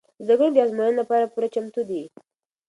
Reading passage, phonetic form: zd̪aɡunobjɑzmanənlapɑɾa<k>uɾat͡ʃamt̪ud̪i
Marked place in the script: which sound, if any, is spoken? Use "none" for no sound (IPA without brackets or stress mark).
p